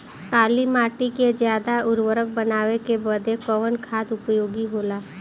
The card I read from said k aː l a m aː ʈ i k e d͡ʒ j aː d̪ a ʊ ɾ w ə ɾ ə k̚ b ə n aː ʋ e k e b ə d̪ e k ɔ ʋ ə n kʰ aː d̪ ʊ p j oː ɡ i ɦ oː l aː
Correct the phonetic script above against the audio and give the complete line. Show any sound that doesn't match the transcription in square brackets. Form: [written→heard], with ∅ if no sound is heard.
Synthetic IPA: k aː l [a→i] m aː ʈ i k e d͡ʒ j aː d̪ a ʊ ɾ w ə ɾ ə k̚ b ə n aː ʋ e k e b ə d̪ e k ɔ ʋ ə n kʰ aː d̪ ʊ p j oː ɡ i ɦ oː l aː

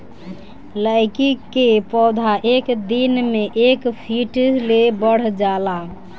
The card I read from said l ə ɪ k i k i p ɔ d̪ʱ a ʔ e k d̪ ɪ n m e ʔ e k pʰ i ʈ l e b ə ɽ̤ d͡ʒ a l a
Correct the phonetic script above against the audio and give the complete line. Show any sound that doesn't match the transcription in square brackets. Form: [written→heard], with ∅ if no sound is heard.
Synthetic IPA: l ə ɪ k i k [i→e] p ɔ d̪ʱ a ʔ e k d̪ [ɪ→i] n m e ʔ e k pʰ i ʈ l e b ə ɽ̤ d͡ʒ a l a

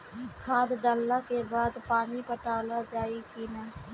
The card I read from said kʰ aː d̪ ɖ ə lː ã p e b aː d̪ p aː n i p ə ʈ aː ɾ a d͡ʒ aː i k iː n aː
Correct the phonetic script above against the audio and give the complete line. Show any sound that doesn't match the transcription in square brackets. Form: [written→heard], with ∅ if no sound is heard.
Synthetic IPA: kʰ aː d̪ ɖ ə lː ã [p→k] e b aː d̪ p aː n i p ə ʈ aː [ɾ→l] a d͡ʒ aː i k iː n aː

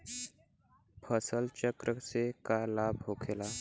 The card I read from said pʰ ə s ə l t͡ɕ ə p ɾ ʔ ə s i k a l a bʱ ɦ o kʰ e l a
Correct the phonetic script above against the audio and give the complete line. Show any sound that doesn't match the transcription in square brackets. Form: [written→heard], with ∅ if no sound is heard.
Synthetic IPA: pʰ ə s ə l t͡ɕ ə [p→k] ɾ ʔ ə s [i→e] k a l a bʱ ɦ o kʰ e l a

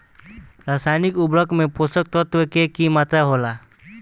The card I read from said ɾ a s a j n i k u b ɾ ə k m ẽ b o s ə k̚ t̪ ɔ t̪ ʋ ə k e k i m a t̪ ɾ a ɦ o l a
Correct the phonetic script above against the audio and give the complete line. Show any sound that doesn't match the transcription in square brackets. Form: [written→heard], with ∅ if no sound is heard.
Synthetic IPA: ɾ a s a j n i k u b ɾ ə k m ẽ [b→p] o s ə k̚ t̪ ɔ t̪ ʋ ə k e k i m a t̪ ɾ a ɦ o l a

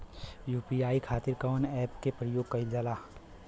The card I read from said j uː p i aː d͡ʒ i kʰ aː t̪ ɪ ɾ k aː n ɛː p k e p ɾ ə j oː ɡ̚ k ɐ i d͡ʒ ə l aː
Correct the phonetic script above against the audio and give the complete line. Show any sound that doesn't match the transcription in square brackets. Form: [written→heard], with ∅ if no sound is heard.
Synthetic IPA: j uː p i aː [d͡ʒ→∅] i kʰ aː t̪ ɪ ɾ k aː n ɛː p k e p ɾ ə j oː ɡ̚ k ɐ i d͡ʒ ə l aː

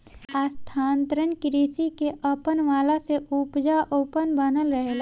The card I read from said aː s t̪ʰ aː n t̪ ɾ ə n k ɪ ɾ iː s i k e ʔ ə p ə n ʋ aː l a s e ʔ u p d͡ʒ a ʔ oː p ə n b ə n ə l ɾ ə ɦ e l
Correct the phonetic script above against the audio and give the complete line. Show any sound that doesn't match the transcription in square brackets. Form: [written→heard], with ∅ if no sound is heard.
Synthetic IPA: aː s t̪ʰ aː n t̪ ɾ ə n k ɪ ɾ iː s i k e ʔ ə p ə n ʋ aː l a s e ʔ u p d͡ʒ a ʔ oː p ə n b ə n ə l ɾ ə ɦ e l

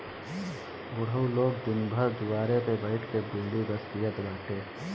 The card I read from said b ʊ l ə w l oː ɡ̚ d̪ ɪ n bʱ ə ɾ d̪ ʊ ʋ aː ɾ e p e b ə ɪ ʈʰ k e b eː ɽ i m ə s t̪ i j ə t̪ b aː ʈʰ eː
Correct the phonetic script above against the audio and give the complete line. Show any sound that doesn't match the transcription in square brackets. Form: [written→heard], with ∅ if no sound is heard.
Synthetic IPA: b ʊ [l→ɽ] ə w l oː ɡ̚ d̪ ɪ n bʱ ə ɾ d̪ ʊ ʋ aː ɾ e p e b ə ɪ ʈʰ k e b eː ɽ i [m→b] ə s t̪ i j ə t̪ b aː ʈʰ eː

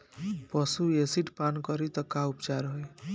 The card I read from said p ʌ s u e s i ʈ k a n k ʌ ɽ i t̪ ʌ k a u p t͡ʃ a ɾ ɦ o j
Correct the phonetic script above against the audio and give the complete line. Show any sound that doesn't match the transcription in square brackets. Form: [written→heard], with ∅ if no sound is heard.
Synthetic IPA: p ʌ s u e s i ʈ [k→p] a n k ʌ [ɽ→ɾ] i t̪ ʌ k a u p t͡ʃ a ɾ ɦ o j

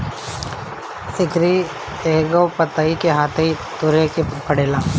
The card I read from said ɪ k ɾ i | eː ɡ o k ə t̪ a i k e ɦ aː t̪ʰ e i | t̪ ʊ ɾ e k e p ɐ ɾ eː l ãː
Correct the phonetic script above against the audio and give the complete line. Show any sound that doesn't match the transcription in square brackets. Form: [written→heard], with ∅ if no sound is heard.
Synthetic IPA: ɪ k ɾ i | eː ɡ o [k→p] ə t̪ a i k e ɦ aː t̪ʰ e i | t̪ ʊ ɾ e k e p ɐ [ɾ→ɽ] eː l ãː

